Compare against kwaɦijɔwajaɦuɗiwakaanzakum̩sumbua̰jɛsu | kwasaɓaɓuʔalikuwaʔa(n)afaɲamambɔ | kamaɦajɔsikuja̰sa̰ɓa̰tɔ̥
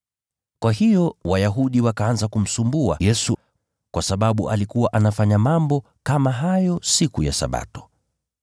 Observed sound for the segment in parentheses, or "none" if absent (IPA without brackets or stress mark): n